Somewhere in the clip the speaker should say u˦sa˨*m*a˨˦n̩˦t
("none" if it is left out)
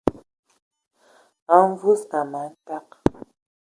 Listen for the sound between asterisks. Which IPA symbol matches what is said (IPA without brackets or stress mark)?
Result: m